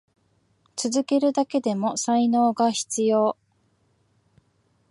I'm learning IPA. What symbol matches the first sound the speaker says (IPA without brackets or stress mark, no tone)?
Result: t͡s